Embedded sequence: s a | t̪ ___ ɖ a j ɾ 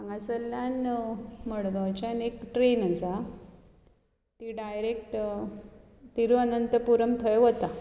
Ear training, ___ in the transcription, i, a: i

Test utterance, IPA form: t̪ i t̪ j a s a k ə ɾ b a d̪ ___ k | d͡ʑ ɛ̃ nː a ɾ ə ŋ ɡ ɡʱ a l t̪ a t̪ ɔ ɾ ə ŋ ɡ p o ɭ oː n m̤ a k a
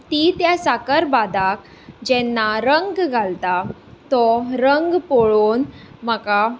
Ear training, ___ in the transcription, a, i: a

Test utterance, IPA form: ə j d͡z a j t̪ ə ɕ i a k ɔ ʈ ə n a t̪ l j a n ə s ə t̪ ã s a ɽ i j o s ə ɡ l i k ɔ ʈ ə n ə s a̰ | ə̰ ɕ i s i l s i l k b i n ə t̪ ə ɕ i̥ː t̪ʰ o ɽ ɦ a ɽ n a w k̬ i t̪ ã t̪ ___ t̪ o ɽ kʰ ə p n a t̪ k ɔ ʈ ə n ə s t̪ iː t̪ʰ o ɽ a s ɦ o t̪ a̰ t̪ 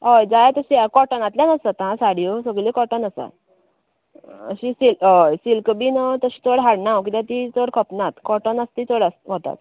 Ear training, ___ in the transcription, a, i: i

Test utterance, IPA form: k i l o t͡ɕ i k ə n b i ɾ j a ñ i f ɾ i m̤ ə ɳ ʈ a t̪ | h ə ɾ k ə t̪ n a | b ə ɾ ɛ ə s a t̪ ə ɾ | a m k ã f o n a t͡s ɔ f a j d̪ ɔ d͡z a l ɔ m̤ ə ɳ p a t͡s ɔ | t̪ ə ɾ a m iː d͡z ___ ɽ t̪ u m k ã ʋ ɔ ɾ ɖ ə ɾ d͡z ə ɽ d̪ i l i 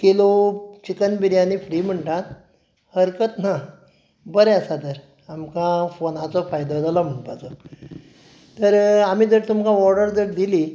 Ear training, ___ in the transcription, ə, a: ə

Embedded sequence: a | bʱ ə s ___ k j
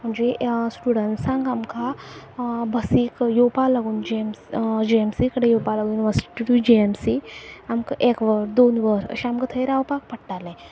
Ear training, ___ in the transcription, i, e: i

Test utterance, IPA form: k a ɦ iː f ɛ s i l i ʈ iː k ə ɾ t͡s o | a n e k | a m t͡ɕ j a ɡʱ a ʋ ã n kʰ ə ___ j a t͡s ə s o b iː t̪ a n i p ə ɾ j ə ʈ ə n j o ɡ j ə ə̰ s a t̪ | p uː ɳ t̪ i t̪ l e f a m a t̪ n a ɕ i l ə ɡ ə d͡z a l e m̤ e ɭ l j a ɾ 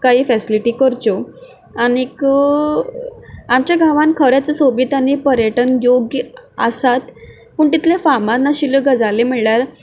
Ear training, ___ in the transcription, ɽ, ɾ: ɾ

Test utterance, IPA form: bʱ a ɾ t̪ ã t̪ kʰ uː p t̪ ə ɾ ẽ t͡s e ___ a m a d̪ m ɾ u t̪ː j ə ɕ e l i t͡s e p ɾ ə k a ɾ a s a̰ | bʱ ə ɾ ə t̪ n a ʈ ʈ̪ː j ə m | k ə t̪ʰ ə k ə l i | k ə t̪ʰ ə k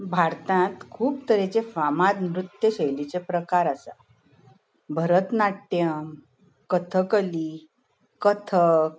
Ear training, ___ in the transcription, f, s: f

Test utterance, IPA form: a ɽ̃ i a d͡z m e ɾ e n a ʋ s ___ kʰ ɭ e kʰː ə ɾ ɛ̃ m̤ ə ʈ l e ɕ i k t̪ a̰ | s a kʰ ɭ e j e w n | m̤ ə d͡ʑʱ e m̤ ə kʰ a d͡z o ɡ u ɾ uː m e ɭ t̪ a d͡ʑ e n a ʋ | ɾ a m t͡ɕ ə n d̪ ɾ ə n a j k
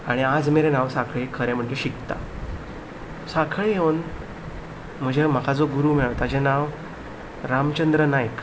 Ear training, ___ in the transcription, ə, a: a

